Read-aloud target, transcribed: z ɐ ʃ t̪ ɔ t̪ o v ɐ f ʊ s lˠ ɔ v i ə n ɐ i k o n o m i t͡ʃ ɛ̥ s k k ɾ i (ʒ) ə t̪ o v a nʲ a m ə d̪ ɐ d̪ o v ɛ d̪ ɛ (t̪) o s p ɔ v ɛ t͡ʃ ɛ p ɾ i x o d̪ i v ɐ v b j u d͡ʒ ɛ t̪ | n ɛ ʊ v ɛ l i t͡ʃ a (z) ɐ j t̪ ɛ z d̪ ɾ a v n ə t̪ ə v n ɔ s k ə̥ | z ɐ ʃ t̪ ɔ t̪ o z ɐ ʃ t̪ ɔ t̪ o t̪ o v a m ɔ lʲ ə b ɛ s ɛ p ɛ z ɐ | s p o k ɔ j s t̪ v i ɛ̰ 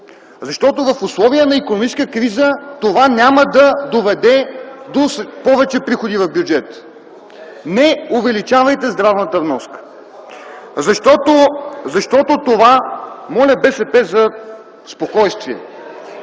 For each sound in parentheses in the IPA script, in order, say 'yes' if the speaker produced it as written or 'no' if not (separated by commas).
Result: no, no, no